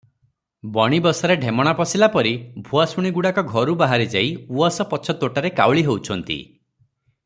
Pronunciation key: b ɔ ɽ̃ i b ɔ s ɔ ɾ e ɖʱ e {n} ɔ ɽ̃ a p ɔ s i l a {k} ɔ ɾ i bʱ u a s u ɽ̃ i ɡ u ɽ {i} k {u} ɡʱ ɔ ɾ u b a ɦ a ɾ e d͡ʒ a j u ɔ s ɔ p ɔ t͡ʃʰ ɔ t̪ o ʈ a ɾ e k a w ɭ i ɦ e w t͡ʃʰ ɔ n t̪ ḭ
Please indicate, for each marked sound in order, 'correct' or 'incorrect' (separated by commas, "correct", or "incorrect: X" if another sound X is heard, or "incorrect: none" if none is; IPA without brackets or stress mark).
incorrect: m, incorrect: p, incorrect: a, incorrect: ɔ